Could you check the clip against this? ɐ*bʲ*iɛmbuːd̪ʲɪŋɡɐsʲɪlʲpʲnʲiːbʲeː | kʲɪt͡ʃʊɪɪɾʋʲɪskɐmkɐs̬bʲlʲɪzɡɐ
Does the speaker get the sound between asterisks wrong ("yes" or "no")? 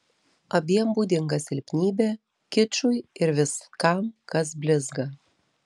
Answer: no